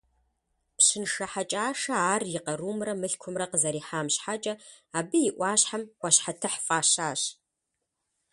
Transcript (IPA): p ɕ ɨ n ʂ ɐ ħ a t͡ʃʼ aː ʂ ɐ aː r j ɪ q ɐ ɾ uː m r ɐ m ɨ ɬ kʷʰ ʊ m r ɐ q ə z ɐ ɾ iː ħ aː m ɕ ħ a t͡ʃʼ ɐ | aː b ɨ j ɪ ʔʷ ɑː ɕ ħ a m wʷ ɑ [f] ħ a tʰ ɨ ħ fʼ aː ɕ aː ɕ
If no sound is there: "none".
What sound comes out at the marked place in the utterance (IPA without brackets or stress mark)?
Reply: ɕ